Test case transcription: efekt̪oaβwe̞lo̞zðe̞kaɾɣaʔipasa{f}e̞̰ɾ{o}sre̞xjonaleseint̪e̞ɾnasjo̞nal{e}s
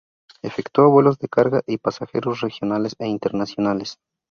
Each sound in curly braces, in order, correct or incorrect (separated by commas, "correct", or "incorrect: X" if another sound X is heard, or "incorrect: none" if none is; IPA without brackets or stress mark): incorrect: x, correct, correct